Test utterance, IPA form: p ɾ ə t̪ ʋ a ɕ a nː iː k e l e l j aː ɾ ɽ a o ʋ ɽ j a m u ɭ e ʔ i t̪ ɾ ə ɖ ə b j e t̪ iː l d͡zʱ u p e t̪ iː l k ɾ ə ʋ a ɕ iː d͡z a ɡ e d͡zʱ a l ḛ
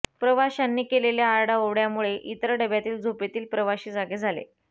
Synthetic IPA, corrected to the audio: p ɾ ə ʋ a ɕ a nː iː k e l e l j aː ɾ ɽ a o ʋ ɽ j a m u ɭ e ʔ i t̪ ɾ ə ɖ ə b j a t̪ iː l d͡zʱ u p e t̪ iː l p ɾ ə ʋ a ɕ iː d͡z a ɡ e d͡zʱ a l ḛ